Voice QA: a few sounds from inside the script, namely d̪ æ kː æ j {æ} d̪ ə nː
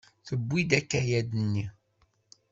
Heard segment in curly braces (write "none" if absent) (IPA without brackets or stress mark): æ